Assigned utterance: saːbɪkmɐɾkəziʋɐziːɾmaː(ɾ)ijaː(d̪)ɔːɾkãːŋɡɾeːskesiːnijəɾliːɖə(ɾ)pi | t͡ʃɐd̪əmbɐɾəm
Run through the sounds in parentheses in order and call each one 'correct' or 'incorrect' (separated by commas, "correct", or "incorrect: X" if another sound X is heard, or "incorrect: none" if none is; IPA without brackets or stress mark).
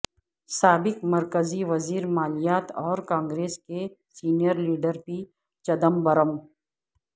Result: incorrect: l, incorrect: t̪, correct